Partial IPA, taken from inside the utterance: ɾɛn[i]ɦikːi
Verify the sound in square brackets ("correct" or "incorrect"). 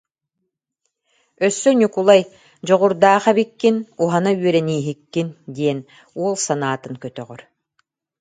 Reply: incorrect